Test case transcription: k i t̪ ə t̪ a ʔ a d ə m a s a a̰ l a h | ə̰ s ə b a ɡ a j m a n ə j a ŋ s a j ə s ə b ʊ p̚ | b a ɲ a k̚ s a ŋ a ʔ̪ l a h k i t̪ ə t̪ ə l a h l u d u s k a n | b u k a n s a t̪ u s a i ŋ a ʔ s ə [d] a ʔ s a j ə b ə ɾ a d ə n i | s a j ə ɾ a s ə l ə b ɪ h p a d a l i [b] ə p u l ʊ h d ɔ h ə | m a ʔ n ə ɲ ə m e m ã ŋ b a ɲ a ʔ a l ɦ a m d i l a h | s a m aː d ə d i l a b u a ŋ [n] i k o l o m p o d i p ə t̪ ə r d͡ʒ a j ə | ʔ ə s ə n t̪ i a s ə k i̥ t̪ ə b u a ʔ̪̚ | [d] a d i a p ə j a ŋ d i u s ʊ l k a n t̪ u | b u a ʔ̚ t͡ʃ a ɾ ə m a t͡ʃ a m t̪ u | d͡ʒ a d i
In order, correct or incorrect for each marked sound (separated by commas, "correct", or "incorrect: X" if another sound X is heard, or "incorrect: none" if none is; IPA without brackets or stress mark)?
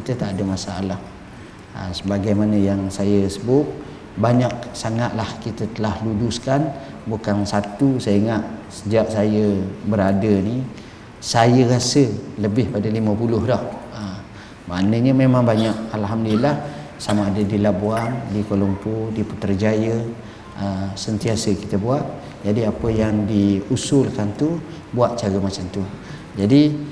incorrect: d͡ʒ, incorrect: m, incorrect: d, incorrect: d͡ʒ